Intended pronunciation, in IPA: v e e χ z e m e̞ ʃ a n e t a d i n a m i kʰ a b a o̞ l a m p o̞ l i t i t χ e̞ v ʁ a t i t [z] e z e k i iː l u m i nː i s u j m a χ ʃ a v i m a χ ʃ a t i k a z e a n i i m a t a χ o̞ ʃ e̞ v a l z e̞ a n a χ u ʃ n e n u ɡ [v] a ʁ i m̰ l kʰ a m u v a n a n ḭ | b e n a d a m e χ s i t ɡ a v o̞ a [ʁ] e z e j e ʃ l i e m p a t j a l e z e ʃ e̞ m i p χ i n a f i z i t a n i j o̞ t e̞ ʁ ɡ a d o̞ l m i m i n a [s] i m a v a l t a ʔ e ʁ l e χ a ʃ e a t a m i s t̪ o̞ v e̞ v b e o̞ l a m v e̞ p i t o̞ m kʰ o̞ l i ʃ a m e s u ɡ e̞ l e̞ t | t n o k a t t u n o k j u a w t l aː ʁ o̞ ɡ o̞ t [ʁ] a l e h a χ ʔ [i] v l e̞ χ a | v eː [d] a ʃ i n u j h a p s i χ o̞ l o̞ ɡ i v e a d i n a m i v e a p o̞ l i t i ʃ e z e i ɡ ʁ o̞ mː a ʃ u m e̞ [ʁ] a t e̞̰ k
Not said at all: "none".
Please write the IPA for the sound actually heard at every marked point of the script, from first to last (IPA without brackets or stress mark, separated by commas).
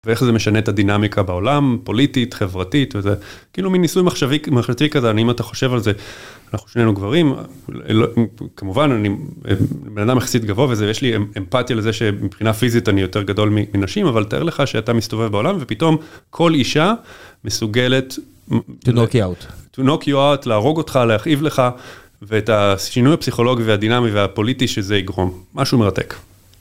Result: v, v, v, ʃ, χ, i, t, ʁ